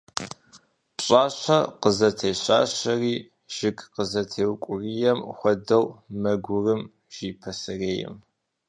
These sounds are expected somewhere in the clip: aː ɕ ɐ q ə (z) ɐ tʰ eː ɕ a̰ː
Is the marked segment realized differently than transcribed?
no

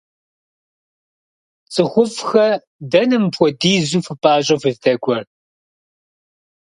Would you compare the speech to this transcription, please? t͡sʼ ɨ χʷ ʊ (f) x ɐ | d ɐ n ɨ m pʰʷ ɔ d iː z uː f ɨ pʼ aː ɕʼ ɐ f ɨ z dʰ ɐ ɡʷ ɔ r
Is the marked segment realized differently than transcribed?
no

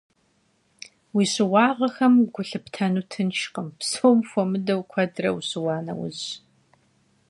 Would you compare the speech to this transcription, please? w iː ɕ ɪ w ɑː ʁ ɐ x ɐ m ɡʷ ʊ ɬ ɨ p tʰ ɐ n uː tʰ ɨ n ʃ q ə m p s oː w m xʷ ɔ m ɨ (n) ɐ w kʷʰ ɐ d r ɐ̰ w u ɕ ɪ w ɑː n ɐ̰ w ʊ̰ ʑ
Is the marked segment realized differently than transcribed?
yes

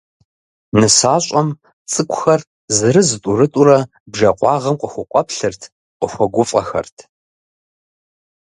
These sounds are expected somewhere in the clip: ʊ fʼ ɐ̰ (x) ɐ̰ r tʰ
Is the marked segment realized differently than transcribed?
no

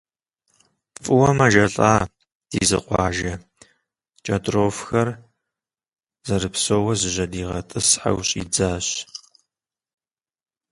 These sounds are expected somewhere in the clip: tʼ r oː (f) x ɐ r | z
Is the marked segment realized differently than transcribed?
no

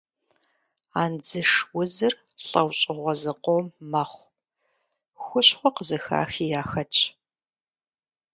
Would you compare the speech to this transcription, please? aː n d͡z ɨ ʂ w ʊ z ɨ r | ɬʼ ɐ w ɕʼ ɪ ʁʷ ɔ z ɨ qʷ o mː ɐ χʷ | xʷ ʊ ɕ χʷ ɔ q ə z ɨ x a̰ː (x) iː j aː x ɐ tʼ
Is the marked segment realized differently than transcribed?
no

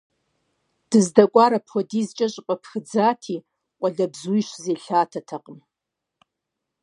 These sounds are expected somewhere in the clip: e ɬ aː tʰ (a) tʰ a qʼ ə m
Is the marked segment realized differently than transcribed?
no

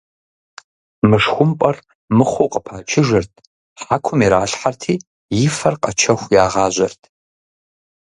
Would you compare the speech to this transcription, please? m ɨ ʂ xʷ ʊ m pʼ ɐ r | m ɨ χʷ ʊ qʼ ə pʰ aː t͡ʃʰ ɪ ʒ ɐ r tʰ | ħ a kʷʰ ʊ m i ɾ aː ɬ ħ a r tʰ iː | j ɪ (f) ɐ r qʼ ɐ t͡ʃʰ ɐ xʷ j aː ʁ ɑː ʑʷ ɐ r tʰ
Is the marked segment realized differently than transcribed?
no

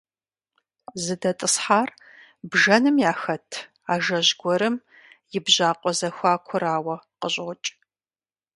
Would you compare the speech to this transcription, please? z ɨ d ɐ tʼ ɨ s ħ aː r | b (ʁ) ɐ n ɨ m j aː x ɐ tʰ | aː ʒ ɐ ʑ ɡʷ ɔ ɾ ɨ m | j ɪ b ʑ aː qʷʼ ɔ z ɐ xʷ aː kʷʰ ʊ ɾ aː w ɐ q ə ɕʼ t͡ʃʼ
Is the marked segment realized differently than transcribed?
yes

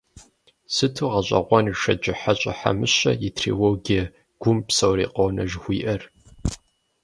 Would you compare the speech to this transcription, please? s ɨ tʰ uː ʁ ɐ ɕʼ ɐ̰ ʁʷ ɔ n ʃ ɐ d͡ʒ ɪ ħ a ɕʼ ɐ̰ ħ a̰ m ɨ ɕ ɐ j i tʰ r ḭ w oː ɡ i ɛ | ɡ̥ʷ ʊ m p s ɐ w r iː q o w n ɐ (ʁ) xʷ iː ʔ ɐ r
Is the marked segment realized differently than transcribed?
yes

